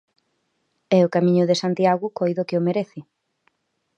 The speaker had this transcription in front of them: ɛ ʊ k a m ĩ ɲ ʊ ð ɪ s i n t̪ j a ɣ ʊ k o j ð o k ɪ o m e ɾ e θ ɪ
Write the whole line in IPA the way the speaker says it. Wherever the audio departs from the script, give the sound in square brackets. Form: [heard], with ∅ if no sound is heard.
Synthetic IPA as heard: ɛ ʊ k a m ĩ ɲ ʊ ð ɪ s [a] n t̪ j a ɣ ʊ k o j ð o k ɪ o m e ɾ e θ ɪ